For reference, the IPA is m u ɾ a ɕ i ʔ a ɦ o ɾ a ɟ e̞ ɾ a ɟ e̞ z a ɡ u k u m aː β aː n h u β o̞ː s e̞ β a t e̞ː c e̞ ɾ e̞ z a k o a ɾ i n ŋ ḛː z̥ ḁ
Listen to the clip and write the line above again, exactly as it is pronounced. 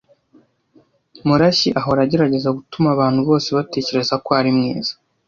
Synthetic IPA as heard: m u ɾ a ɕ i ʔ a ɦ o ɾ a ɟ e̞ ɾ a ɟ e̞ z a ɡ u t u m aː β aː n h u β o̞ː s e̞ β a t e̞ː c e̞ ɾ e̞ z a k o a ɾ i m ŋ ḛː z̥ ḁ